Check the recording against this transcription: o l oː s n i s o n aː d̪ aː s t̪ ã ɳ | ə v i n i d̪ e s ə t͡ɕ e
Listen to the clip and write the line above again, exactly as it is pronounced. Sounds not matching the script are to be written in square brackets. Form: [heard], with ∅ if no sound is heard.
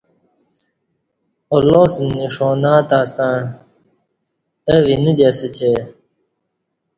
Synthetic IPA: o l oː s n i [ʂ] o n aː [t̪] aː s t̪ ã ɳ | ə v i n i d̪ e s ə t͡ɕ e